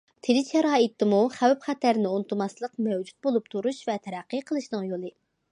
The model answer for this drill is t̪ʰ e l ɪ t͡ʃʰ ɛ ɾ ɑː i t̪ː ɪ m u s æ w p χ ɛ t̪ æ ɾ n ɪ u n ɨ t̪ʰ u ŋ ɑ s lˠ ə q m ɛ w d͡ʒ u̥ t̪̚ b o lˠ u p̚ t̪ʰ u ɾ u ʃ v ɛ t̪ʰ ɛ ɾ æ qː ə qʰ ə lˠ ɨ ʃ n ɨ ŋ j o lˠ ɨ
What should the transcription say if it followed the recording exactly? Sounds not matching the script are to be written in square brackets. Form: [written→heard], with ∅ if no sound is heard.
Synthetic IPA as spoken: t̪ʰ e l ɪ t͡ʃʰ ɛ ɾ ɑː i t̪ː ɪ m u [s→χ] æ w p χ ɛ t̪ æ ɾ n ɪ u n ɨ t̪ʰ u [ŋ→m] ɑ s lˠ ə q m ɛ w d͡ʒ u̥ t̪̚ b o lˠ u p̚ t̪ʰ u ɾ u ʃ v ɛ t̪ʰ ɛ ɾ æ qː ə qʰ ə lˠ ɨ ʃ n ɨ ŋ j o lˠ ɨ